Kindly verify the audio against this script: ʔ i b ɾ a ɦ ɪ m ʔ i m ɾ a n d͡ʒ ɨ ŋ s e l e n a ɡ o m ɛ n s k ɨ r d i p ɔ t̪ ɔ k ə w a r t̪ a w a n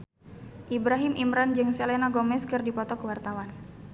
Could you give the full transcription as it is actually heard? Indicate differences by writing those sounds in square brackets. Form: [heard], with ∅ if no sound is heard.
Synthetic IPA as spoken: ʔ i b ɾ a ɦ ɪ m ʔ i m ɾ a n d͡ʒ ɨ ŋ s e l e n a ɡ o m ɛ [∅] s k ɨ r d i p ɔ t̪ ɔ k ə w a r t̪ a w a n

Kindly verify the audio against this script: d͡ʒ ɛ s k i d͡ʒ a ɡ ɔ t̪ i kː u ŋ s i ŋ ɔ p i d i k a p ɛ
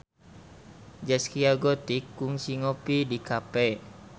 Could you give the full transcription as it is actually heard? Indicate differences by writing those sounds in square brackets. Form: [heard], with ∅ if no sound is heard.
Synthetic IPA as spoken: d͡ʒ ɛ s k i [∅] a ɡ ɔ t̪ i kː u ŋ s i ŋ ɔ p i d i k a p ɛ

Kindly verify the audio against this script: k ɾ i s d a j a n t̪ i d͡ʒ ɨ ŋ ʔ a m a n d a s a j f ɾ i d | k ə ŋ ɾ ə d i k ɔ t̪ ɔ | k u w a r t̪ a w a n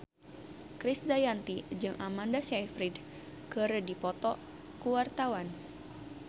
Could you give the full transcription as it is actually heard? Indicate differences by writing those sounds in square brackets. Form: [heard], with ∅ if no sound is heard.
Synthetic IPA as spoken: k ɾ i s d a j a n t̪ i d͡ʒ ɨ ŋ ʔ a m a n d a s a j f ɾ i d | k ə [∅] ɾ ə d i [p] ɔ t̪ ɔ | k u w a r t̪ a w a n

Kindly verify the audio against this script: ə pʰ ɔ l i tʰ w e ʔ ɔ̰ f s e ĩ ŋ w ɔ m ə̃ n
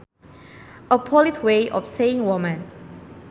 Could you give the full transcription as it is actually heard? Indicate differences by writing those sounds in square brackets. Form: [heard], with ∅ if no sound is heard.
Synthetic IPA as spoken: ə pʰ ɔ l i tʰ w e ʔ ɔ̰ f s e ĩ ŋ w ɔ m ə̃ n

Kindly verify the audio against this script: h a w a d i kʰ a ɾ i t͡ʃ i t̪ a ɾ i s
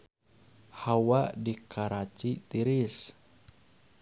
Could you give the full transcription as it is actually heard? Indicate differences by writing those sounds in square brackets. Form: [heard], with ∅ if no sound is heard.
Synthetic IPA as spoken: h a w a d i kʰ a ɾ [a] t͡ʃ i t̪ [i] ɾ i s

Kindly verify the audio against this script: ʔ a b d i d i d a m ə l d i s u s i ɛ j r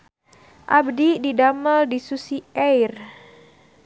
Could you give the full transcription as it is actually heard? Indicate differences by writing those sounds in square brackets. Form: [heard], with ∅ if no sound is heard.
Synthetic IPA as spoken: ʔ a b d i d i d a m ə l d i s u s i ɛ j r

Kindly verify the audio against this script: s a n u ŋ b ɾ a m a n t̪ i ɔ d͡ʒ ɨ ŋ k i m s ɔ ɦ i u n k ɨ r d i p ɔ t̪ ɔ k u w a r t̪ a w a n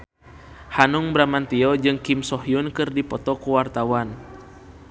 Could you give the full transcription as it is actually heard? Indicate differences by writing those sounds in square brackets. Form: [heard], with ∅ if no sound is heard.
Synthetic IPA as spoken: [h] a n u ŋ b ɾ a m a n t̪ i ɔ d͡ʒ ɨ ŋ k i m s ɔ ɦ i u n k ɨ r d i p ɔ t̪ ɔ k u w a r t̪ a w a n

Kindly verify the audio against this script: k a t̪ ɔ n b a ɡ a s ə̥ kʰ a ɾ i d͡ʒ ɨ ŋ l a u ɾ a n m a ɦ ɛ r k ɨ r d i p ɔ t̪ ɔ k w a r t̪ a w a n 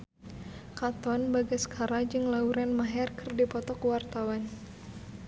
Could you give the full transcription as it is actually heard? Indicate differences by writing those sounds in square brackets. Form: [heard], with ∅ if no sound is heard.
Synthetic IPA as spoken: k a t̪ ɔ n b a ɡ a s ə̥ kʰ a ɾ [a] d͡ʒ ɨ ŋ l a u ɾ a n m a ɦ ɛ r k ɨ r d i p ɔ t̪ ɔ k w a r t̪ a w a n

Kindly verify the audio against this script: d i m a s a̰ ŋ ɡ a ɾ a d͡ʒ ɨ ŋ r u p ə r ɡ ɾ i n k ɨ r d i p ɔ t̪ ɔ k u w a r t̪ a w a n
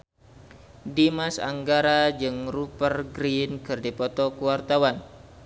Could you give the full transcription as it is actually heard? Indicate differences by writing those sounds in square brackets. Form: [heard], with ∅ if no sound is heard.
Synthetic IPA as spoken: d i m a s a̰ ŋ ɡ a ɾ a d͡ʒ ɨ ŋ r u p ə r ɡ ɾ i n k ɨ r d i p ɔ t̪ ɔ k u w a r t̪ a w a n

